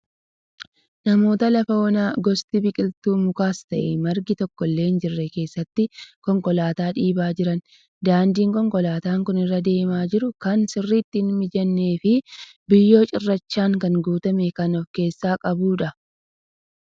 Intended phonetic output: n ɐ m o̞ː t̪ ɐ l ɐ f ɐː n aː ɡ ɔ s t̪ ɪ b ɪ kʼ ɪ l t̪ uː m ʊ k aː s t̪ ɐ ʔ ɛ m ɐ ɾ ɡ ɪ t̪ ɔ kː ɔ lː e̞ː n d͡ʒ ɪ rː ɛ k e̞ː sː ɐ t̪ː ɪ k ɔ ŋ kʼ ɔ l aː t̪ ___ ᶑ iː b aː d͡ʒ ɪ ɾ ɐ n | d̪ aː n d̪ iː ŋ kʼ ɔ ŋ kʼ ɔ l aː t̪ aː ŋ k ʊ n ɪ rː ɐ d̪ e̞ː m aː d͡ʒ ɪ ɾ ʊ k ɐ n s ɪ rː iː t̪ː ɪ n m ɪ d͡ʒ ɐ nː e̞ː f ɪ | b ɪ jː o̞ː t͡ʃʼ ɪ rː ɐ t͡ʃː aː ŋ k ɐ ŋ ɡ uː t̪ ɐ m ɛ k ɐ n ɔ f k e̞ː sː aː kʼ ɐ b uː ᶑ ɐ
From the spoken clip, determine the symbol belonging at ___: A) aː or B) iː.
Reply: A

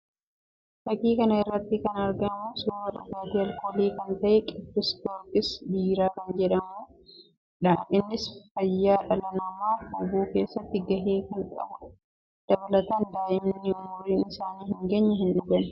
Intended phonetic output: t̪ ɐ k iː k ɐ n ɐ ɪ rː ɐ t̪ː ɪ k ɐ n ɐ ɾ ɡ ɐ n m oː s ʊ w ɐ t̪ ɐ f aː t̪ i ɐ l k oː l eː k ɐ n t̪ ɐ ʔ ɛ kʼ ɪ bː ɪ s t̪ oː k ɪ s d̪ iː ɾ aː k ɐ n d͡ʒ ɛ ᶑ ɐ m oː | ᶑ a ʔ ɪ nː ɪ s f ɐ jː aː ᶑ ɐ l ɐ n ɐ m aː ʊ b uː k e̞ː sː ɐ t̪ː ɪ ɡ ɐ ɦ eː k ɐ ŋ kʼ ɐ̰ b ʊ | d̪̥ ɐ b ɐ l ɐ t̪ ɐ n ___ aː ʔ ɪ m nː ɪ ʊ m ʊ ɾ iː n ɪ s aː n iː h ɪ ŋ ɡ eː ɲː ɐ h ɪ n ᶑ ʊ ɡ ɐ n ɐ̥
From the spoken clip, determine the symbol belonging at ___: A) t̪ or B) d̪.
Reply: B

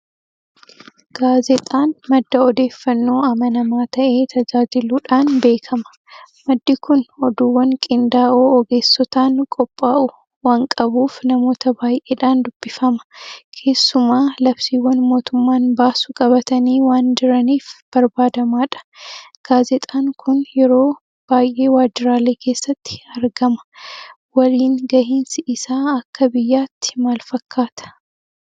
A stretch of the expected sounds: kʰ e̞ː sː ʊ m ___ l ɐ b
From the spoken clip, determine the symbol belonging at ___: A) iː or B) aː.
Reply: B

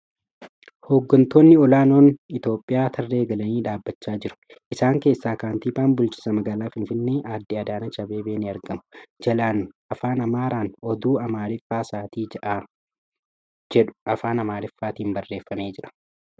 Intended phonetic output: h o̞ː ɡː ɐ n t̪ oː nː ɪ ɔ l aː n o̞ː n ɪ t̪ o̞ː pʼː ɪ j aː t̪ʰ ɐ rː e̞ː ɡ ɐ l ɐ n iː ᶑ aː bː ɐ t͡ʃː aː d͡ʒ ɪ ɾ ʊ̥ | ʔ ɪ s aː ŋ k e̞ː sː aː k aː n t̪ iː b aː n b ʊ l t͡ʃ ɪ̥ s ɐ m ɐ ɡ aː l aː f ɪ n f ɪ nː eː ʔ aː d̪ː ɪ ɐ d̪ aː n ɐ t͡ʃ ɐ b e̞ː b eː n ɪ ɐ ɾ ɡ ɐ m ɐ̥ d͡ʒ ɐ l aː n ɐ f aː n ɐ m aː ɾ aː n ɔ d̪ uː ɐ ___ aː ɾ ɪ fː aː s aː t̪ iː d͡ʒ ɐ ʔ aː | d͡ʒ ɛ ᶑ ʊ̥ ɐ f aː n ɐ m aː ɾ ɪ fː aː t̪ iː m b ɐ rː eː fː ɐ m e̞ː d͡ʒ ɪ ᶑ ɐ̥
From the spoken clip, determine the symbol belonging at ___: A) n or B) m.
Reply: B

